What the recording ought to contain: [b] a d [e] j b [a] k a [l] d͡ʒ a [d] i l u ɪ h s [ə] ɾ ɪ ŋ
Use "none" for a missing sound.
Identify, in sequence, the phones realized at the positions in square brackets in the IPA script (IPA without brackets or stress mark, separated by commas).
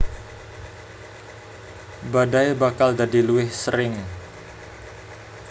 b, a, a, l, d, ə